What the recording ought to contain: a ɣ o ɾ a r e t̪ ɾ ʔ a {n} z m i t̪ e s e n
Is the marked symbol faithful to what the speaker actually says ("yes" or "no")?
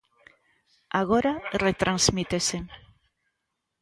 yes